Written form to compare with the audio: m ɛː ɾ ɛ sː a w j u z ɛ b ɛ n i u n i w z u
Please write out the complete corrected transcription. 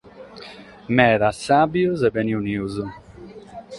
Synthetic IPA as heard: m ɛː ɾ a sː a b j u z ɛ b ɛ n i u n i u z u